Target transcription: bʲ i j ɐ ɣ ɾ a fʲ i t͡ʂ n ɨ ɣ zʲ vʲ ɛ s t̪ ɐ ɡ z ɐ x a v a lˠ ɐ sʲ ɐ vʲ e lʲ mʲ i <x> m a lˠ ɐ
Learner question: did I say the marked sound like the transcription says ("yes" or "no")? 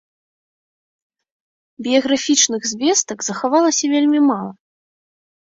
no